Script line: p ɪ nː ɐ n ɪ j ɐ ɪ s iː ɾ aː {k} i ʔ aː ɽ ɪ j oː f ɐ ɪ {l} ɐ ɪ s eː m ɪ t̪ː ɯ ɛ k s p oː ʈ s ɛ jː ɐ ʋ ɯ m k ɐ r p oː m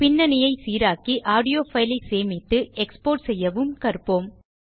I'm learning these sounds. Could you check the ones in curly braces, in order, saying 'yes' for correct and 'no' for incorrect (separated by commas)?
yes, yes